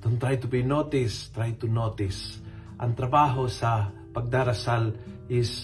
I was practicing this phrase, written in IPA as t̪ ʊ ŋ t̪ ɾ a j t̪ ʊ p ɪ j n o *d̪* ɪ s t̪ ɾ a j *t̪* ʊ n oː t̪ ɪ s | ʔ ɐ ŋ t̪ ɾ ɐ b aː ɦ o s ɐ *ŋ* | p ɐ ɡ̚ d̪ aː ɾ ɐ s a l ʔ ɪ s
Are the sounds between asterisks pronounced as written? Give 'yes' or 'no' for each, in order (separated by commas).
no, yes, no